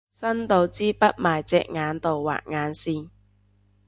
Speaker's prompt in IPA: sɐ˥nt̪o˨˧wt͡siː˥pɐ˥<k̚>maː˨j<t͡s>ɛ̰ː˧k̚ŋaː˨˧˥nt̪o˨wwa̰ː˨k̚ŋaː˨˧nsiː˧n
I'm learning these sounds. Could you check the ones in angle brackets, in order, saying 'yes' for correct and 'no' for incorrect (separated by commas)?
no, yes